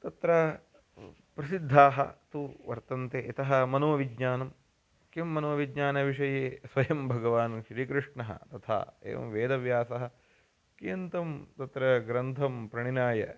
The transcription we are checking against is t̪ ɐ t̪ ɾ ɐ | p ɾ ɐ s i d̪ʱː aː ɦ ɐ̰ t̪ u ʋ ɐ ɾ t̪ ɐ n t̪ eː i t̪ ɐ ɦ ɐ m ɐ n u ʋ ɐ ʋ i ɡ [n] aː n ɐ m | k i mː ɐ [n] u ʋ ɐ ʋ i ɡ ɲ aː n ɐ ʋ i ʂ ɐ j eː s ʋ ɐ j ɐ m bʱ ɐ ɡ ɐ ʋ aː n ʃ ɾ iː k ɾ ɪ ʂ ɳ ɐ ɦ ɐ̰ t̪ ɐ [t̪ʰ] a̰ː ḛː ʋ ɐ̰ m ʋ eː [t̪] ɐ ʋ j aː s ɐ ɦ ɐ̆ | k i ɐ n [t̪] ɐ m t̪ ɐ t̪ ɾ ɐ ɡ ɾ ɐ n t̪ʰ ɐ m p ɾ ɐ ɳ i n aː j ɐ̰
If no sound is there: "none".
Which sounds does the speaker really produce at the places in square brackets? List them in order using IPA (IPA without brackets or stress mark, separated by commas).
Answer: ɲ, n, t̪ʰ, d̪, t̪